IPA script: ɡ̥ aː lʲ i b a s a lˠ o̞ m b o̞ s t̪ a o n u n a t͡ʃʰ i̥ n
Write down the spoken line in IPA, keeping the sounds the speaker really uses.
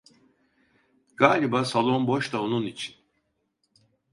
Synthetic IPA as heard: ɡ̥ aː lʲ i b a s a lˠ o̞ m b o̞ ʃ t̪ a o n u n i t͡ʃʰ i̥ n